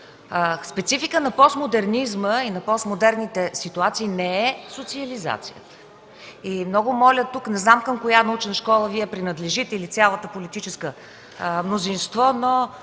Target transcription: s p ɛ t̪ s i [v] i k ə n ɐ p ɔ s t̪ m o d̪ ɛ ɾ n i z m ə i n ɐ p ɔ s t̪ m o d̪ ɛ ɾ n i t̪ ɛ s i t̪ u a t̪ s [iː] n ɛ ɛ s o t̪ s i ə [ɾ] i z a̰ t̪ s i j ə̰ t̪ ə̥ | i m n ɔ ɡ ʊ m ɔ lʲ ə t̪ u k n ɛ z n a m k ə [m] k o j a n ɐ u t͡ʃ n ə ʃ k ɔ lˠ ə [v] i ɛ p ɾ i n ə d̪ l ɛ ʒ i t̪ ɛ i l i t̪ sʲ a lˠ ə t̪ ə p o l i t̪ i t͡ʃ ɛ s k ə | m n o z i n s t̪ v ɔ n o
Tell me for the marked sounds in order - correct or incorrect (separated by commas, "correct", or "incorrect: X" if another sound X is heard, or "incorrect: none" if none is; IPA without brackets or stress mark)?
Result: incorrect: f, correct, incorrect: l, correct, correct